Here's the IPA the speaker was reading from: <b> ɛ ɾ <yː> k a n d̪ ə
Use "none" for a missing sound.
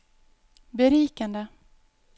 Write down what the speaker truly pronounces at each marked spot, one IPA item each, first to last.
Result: b, iː

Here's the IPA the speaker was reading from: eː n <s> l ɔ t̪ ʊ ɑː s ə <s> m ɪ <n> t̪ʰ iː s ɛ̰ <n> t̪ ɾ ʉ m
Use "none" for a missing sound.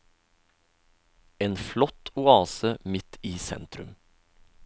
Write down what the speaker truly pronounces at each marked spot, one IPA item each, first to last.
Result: f, none, none, n

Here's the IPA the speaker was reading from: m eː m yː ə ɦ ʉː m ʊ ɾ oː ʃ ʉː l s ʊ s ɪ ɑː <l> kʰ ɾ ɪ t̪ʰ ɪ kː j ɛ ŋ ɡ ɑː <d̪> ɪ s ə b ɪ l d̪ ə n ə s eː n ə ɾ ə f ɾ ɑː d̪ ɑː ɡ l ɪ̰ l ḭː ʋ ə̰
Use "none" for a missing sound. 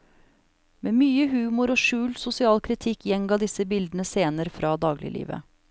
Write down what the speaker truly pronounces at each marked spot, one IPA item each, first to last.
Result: l, d̪

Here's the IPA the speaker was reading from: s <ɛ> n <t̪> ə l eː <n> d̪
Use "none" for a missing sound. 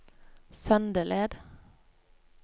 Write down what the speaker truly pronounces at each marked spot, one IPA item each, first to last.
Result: œ, d̪, none

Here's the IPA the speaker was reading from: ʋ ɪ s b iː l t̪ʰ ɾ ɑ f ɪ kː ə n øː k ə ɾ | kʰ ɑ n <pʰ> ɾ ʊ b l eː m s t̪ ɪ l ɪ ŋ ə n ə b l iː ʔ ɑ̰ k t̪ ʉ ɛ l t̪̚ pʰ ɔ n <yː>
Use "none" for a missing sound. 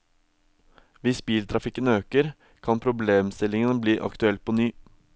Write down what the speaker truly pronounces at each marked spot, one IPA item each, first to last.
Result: pʰ, yː

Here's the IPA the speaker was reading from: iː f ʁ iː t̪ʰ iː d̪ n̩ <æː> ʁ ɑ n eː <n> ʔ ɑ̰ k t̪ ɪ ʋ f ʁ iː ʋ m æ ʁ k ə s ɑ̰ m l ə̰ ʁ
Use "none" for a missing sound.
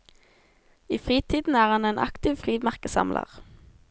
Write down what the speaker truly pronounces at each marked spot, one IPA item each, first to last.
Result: æː, n

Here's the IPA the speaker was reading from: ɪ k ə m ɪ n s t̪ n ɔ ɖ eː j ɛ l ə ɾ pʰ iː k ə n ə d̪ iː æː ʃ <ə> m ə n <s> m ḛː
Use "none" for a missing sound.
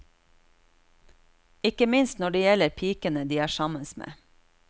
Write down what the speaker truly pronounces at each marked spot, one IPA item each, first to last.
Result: ɑ, s

